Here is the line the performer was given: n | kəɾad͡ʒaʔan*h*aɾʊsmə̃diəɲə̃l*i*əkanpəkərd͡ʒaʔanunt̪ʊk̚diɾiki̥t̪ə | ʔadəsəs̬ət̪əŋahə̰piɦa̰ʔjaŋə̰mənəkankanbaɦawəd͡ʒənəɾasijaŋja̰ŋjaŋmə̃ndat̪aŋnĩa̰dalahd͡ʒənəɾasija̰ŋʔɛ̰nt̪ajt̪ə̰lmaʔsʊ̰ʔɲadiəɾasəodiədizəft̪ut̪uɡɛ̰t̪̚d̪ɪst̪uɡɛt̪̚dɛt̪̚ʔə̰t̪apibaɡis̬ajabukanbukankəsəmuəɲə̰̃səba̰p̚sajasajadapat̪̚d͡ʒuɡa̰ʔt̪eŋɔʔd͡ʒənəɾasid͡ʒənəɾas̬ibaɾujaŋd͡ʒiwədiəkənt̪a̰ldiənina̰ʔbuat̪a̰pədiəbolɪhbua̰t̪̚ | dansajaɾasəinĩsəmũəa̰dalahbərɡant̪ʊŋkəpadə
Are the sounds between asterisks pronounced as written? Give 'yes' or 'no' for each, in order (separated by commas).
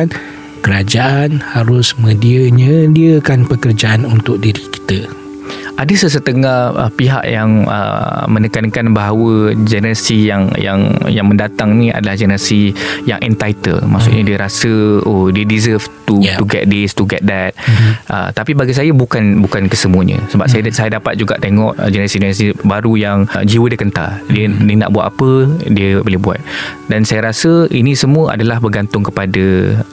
yes, yes